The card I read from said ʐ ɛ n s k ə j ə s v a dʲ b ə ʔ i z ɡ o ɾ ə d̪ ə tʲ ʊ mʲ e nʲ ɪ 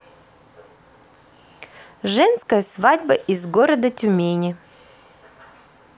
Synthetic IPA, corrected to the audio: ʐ ɛ n s k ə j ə s v a dʲ b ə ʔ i z ɡ o ɾ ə d̪ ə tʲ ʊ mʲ e nʲ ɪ